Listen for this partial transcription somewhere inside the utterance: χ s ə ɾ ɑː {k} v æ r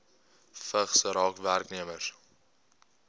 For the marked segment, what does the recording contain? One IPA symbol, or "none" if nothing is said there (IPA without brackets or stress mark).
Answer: k